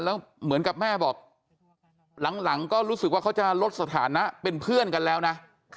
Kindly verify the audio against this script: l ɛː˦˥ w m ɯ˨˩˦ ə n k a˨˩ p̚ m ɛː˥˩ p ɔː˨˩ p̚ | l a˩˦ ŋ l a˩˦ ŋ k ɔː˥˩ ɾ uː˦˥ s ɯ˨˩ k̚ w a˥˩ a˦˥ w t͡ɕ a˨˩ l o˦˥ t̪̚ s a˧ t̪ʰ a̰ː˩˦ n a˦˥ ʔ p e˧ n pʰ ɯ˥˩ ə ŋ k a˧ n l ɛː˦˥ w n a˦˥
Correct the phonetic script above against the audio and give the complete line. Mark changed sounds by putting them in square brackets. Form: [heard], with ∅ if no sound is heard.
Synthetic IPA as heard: l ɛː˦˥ w m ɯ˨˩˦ ə n k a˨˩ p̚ m ɛː˥˩ [b] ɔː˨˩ [k̚] | l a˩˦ ŋ l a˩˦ ŋ k ɔː˥˩ ɾ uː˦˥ s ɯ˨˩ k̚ w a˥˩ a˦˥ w t͡ɕ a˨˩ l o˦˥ t̪̚ s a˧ t̪ʰ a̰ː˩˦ n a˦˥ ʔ p e˧ n pʰ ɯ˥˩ ə [n] k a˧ n l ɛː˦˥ w n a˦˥